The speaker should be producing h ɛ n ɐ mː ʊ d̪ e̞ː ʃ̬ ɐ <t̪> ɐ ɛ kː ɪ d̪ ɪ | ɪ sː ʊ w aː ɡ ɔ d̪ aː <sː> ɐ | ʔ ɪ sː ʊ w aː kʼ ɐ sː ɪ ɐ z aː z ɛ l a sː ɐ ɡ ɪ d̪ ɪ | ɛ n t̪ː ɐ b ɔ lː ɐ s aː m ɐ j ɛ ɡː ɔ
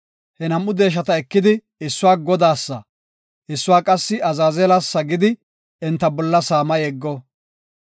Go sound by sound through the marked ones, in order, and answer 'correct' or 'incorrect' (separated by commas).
correct, correct